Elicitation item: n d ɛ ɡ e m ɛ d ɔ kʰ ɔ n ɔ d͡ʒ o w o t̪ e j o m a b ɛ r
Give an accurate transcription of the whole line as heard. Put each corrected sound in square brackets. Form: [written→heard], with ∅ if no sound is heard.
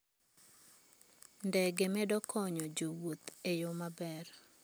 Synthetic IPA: n d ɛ ɡ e m ɛ d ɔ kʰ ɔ [n→ɲ] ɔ d͡ʒ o w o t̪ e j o m a b ɛ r